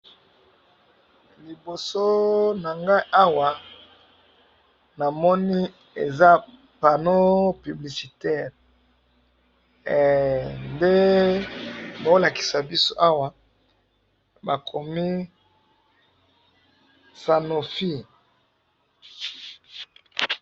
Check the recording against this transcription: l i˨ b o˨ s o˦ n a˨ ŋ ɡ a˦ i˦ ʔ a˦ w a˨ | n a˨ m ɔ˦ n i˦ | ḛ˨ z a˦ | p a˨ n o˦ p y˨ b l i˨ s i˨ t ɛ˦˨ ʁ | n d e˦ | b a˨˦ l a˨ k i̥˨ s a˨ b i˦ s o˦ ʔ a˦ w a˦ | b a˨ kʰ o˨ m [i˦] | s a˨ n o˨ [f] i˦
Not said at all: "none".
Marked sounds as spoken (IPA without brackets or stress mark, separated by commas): i˦, f